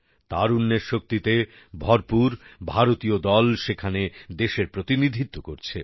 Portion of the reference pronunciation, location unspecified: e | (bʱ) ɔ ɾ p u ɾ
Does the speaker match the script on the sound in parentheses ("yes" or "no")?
yes